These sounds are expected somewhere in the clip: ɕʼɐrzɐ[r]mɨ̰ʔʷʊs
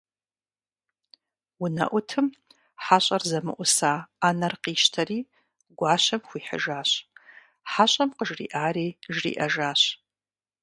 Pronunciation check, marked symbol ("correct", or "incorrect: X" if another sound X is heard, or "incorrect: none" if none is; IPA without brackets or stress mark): incorrect: none